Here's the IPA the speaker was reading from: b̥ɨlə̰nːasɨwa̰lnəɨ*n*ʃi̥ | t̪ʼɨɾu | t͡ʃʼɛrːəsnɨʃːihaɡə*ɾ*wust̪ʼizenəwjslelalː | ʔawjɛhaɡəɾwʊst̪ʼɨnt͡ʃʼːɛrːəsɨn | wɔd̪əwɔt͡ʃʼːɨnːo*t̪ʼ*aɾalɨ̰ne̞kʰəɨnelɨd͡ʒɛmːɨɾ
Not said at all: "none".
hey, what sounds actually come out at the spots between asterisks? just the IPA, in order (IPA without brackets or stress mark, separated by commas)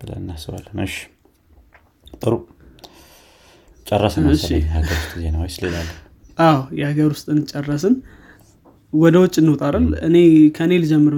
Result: none, ɾ, t̪ʼ